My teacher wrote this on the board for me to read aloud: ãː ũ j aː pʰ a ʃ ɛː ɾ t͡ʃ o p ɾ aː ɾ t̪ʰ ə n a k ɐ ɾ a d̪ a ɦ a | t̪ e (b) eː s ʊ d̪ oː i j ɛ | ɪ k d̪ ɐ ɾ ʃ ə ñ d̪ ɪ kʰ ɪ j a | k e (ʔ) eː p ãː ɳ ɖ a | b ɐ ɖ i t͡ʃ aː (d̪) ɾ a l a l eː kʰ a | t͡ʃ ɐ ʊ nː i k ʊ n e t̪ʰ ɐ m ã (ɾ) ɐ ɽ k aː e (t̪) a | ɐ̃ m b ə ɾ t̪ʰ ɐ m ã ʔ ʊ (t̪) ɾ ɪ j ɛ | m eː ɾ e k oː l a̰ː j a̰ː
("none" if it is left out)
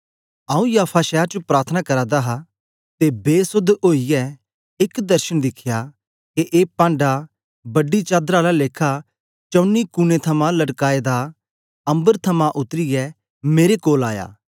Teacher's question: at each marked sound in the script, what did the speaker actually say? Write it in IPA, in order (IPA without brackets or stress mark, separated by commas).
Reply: b, ʔ, d̪, l, d̪, t̪